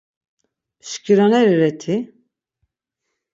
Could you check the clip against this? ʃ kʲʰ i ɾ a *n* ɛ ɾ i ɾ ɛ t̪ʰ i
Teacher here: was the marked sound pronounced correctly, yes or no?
yes